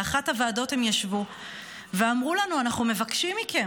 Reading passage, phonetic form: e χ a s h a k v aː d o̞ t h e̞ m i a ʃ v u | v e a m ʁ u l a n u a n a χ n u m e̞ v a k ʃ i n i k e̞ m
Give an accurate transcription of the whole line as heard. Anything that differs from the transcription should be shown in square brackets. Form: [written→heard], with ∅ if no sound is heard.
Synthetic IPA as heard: [e→a] χ a [s→t] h a [k→∅] v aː d o̞ t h e̞ m [i→j] a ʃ v u | v e a m ʁ u l a n u a n a χ n u m e̞ v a k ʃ i [n→m] i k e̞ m